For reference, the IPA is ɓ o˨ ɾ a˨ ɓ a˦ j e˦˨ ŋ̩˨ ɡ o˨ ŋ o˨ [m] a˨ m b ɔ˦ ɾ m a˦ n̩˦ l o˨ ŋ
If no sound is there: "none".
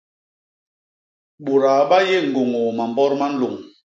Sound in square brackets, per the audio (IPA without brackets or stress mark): m